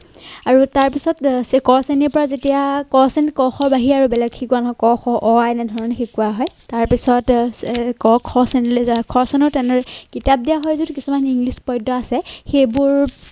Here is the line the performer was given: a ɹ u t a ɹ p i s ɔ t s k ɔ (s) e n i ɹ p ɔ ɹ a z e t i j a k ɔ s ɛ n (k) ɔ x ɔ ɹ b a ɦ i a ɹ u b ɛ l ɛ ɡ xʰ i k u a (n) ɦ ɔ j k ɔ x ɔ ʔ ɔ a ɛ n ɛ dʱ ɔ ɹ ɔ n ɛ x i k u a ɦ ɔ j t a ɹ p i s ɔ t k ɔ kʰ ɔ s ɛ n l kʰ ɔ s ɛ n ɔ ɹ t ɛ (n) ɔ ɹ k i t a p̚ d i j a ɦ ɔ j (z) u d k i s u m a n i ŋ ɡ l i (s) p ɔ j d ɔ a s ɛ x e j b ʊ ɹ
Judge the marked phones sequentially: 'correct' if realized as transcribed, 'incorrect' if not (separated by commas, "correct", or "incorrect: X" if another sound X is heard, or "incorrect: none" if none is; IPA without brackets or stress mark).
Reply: correct, correct, correct, correct, correct, correct